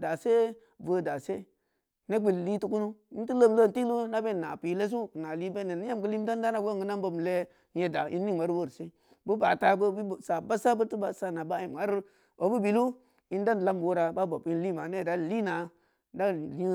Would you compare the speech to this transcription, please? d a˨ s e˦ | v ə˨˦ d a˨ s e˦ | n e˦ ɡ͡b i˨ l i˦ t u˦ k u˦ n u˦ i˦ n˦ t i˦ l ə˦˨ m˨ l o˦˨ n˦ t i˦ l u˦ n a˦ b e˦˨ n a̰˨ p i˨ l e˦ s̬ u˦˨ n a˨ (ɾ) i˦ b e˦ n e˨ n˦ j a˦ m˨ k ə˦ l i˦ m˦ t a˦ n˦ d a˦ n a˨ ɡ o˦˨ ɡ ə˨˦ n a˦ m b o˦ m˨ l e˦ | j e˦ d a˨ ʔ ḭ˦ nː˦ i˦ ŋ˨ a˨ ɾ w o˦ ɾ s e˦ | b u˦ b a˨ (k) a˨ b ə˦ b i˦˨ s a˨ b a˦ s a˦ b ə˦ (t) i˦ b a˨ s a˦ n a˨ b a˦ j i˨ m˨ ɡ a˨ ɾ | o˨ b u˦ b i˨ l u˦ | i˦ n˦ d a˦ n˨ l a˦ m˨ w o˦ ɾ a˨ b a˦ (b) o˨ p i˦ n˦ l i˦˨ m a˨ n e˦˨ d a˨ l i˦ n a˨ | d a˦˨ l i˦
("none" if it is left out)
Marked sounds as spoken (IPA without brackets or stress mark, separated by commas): l, t, t, b